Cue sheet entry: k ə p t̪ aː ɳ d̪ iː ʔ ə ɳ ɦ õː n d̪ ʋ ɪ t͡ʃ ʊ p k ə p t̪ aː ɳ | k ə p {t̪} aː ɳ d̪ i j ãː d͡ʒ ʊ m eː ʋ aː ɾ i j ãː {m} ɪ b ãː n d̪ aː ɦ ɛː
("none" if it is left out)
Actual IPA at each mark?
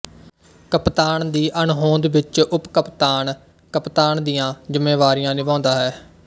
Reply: t̪, n

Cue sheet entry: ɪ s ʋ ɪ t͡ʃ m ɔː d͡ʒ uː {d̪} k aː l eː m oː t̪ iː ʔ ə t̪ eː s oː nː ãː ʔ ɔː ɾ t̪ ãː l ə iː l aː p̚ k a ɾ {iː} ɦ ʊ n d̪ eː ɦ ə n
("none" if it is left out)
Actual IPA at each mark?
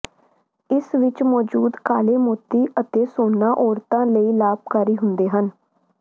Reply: d̪, iː

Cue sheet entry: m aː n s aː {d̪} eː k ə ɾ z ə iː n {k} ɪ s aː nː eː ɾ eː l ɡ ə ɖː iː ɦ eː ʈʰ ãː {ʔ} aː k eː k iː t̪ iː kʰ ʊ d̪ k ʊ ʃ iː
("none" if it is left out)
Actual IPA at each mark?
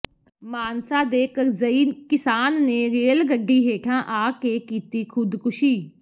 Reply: d̪, k, ʔ

